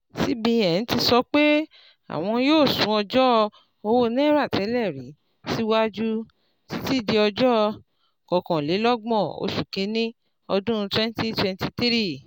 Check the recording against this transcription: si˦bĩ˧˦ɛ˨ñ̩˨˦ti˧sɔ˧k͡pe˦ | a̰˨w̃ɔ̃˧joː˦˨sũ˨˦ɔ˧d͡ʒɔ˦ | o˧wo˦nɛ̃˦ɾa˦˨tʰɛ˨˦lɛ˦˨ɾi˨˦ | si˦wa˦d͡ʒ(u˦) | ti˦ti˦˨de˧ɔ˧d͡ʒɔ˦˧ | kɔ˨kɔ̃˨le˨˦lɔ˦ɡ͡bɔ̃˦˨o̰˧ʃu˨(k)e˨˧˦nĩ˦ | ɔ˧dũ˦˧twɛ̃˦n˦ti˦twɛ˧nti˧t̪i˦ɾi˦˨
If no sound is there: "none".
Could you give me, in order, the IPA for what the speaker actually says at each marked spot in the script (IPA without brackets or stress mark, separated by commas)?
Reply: u˦, k